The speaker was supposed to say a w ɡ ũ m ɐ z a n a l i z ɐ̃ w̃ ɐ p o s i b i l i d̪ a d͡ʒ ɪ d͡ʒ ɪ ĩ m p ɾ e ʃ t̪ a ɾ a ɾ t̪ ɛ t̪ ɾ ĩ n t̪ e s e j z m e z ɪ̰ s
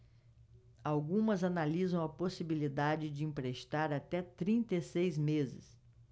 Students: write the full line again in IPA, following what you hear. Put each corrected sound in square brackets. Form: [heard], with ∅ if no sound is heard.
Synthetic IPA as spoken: a w ɡ ũ m ɐ z a n a l i z ɐ̃ w̃ ɐ p o s i b i l i d̪ a d͡ʒ ɪ d͡ʒ ɪ ĩ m p ɾ e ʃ t̪ a ɾ a [∅] t̪ ɛ t̪ ɾ ĩ n t̪ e s e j z m e z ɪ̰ s